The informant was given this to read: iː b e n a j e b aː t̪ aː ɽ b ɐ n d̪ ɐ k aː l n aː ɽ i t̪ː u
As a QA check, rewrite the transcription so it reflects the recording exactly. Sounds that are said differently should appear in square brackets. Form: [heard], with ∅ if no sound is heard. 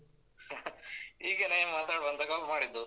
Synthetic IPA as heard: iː [ɡ] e n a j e [m] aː t̪ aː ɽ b ɐ n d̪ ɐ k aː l [m] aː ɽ i [d̪ː] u

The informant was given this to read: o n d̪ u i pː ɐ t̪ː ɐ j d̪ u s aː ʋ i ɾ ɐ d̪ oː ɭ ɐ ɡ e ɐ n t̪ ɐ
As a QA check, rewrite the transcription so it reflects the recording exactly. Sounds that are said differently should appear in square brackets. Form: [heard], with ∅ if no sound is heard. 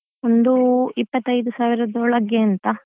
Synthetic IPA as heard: o n d̪ u i pː ɐ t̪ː ɐ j d̪ u s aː ʋ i ɾ ɐ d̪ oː ɭ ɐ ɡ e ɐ n t̪ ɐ

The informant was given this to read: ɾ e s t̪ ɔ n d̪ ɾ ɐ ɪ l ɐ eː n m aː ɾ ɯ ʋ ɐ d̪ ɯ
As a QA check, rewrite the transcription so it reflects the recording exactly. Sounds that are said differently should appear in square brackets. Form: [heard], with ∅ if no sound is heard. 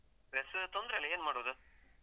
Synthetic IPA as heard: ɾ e s t̪ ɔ n d̪ ɾ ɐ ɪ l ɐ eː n m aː [ɽ] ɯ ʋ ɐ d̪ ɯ

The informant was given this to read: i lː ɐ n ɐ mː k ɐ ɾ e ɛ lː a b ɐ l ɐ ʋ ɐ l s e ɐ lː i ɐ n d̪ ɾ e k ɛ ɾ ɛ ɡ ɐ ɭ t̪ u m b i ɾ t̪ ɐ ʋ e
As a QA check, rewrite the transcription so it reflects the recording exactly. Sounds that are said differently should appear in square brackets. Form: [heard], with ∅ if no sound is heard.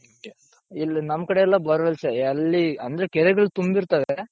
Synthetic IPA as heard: i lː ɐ n ɐ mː k ɐ [ɽ] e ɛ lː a b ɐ [ɾ] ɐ ʋ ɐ l s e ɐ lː i ɐ n d̪ ɾ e k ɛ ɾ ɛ ɡ ɐ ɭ t̪ u m b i ɾ t̪ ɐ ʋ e

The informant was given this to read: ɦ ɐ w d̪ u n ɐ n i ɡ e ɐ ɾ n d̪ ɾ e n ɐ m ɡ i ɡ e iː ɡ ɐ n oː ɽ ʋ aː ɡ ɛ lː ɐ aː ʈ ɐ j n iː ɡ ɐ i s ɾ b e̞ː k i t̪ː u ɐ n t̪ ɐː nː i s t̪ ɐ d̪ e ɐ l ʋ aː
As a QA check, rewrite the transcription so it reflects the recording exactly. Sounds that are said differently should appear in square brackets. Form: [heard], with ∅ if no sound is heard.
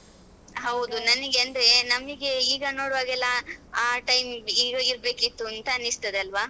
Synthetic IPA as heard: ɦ ɐ w d̪ u n ɐ n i ɡ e ɐ [∅] n d̪ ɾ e n ɐ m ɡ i ɡ e iː ɡ ɐ n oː ɽ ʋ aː ɡ ɛ lː ɐ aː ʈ ɐ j [m] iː ɡ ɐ i [∅] ɾ b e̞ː k i t̪ː u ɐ n t̪ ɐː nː i s t̪ ɐ d̪ e ɐ l ʋ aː

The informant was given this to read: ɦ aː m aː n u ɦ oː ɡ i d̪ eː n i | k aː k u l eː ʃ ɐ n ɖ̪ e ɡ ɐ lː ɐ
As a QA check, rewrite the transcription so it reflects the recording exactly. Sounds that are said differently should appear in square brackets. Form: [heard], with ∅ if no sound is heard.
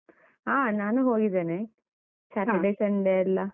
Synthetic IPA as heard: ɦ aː [n] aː n u ɦ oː ɡ i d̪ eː n [e] | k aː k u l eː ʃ ɐ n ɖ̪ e [∅] ɐ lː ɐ

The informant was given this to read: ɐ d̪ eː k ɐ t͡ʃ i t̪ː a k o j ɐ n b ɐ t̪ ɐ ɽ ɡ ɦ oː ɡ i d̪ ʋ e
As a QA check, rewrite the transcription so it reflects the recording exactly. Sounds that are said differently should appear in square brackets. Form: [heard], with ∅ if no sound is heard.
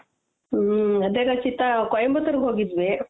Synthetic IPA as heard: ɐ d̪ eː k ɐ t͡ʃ i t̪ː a k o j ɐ [m] b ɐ t̪ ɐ [ɾ] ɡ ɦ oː ɡ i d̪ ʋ e

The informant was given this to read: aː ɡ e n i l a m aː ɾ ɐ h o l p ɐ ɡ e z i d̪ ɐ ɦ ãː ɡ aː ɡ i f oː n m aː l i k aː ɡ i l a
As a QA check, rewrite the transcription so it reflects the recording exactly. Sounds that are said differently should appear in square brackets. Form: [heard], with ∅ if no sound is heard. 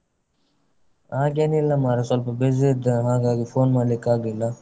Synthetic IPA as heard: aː ɡ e n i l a m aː ɾ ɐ [s] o l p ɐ [b] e z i d̪ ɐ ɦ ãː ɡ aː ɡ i f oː n m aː l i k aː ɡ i l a

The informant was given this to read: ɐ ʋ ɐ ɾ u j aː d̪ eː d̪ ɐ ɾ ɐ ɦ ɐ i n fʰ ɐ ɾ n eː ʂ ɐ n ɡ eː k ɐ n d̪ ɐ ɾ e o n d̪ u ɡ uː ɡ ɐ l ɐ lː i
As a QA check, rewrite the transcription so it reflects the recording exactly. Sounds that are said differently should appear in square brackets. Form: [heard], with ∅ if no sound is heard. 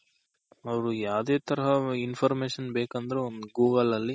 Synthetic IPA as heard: ɐ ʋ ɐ ɾ u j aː d̪ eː [t̪] ɐ ɾ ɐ ɦ ɐ i n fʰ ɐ ɾ [m] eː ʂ ɐ n [b] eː k ɐ n d̪ ɐ ɾ e o n d̪ u ɡ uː ɡ ɐ l ɐ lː i

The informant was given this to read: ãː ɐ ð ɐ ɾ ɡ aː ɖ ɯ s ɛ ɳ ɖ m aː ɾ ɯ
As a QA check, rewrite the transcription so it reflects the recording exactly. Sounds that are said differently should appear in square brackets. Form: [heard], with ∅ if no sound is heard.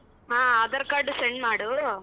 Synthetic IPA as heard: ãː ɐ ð ɐ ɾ [k] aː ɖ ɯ s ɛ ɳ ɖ m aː [ɽ] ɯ

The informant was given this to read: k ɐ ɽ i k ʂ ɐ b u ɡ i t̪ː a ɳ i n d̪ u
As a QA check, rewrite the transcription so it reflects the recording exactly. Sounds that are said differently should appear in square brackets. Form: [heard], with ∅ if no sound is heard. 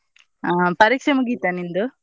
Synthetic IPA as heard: [p] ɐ [ɾ] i k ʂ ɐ [m] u ɡ i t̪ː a [n] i n d̪ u

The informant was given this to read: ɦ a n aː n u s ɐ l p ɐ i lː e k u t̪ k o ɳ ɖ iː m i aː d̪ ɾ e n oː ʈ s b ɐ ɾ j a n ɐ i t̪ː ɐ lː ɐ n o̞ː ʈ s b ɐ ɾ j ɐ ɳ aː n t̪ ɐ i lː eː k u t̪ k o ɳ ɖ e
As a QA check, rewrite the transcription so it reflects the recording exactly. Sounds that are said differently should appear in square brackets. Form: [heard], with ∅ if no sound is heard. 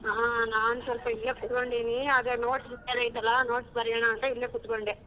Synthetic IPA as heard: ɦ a n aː n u s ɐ l p ɐ i lː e k u t̪ k o ɳ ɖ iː [n] i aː d̪ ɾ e n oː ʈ s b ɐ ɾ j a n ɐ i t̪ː ɐ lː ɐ n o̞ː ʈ s b ɐ ɾ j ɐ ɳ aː n t̪ ɐ i lː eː k u t̪ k o ɳ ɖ e

